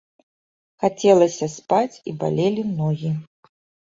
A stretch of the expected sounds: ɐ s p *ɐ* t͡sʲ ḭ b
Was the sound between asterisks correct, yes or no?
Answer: no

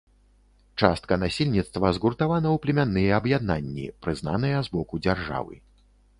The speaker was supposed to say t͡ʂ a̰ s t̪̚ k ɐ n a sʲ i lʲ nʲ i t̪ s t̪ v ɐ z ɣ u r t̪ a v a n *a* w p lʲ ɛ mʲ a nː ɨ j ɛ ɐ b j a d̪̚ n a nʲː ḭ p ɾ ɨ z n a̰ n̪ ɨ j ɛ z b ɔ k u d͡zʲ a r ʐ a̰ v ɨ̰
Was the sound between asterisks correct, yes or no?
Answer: no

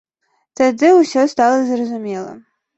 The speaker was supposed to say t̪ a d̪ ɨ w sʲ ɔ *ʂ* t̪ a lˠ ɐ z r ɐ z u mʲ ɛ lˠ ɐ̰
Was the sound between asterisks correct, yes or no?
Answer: no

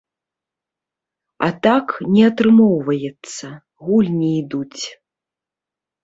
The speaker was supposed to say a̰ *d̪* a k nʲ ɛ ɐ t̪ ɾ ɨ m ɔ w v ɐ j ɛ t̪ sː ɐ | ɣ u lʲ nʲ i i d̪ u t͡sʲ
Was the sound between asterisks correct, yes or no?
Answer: no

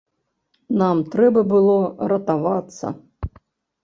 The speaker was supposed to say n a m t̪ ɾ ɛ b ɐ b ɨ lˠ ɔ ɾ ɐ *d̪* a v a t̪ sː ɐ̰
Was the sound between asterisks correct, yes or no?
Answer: no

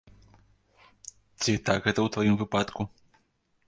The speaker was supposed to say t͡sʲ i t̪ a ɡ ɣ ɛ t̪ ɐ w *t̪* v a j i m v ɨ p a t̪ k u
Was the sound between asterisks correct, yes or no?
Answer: yes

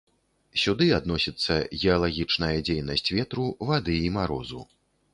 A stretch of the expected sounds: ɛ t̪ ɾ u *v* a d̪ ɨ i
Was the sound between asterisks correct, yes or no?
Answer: yes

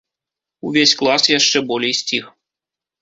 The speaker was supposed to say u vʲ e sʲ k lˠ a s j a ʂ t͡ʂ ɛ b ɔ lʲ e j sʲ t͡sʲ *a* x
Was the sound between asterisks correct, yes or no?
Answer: no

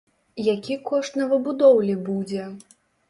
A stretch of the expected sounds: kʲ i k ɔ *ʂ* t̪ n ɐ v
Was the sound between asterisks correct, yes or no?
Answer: yes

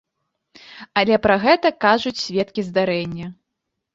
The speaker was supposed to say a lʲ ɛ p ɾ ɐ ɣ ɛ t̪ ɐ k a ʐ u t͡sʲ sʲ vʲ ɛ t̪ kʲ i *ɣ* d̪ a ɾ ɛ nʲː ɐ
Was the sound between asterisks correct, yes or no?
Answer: no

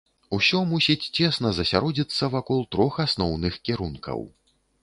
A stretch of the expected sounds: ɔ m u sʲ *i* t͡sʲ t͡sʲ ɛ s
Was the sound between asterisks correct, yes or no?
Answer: yes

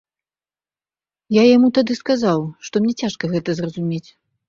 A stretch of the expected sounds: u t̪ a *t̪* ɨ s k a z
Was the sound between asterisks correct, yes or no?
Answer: no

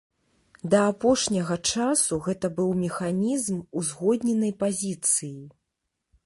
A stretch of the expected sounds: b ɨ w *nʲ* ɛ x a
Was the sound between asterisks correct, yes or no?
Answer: no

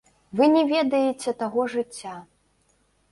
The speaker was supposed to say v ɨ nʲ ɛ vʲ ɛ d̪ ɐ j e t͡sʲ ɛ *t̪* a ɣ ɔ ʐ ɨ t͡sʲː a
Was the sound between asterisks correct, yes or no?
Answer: yes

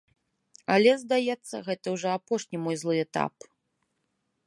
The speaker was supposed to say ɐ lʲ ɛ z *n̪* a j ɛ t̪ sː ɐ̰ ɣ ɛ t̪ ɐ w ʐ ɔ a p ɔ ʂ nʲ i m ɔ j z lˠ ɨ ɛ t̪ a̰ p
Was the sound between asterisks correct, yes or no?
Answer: no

